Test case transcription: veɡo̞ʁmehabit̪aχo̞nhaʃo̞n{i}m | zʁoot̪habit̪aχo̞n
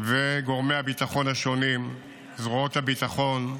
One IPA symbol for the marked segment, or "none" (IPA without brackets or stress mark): i